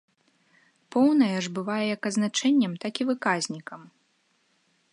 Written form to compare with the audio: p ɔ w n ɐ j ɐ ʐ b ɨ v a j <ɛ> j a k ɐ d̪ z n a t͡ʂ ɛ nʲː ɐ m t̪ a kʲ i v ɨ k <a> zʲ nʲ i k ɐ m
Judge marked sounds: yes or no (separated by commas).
yes, yes